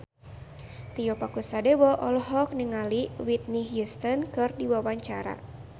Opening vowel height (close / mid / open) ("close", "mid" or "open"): close